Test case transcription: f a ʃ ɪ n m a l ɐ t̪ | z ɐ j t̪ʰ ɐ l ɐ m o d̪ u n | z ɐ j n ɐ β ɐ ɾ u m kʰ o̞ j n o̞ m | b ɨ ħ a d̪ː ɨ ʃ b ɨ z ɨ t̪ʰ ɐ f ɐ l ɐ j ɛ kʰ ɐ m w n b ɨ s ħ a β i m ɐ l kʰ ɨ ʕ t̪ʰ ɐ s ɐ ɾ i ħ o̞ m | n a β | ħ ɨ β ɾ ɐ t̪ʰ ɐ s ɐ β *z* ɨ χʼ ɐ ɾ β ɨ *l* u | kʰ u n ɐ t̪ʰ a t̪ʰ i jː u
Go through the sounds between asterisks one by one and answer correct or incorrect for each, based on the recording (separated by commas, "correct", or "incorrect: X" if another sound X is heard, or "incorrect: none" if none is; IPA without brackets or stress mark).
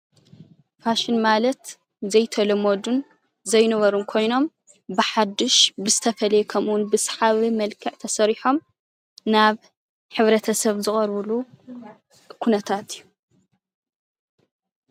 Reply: correct, correct